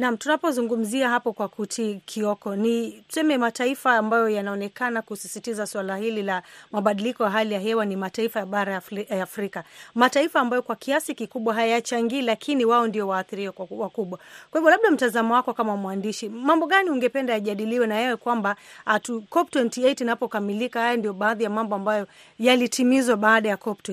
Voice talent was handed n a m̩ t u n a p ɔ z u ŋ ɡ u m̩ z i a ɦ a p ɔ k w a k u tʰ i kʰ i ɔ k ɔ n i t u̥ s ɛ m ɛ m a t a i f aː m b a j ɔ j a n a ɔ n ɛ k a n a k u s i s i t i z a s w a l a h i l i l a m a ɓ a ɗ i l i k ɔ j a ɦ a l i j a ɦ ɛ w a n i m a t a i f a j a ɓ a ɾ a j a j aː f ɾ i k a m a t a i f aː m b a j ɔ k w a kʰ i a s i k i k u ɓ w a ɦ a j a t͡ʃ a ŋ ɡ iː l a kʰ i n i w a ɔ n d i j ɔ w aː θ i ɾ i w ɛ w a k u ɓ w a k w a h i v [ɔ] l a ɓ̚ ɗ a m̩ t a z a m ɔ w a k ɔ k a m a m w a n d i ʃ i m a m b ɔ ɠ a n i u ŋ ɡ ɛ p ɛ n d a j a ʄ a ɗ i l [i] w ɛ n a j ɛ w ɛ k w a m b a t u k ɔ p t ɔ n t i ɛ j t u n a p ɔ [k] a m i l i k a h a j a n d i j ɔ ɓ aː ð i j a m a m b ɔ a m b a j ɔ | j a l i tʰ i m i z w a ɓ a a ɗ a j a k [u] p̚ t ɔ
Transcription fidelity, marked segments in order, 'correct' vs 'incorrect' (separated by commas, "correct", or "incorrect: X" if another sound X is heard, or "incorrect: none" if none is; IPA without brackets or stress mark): correct, correct, correct, incorrect: ɔ